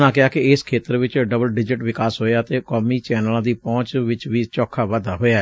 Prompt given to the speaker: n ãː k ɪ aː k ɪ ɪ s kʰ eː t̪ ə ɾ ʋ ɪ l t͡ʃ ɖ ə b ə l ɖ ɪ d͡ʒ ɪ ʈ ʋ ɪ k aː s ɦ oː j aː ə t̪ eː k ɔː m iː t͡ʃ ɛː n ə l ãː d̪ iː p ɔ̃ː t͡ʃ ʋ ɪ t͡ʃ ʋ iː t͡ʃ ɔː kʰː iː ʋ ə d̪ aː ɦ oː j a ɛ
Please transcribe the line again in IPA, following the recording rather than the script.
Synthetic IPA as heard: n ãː k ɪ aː k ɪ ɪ s kʰ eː t̪ ə ɾ ʋ ɪ t͡ʃ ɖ ə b ə l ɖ ɪ d͡ʒ ɪ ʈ ʋ ɪ k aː s ɦ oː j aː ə t̪ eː k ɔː m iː t͡ʃ ɛː n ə l ãː d̪ iː p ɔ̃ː t͡ʃ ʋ ɪ t͡ʃ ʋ iː t͡ʃ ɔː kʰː aː ʋ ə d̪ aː ɦ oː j a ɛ